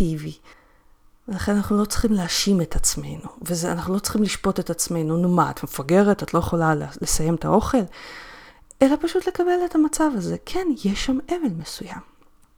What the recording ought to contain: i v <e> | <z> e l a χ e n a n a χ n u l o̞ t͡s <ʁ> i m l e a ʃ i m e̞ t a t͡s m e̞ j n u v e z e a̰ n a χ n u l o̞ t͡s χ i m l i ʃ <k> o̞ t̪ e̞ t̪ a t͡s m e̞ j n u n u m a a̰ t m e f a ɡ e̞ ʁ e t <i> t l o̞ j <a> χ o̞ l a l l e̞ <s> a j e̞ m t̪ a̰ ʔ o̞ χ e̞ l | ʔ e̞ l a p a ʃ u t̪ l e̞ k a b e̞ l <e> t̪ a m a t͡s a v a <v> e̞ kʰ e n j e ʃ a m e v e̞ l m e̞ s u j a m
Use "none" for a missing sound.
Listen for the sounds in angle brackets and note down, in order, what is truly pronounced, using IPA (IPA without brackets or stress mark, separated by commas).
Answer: i, v, χ, p, a, e, s, e, z